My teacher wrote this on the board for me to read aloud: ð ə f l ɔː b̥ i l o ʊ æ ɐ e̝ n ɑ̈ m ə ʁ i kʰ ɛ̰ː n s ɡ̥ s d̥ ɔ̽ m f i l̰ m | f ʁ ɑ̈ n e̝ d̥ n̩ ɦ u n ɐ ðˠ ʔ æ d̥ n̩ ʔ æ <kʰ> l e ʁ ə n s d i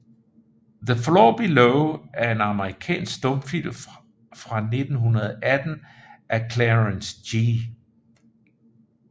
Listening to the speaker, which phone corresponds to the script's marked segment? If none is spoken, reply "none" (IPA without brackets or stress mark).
kʰ